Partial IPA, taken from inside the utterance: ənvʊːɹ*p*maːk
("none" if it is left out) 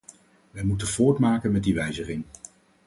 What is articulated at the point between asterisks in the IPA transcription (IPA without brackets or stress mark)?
t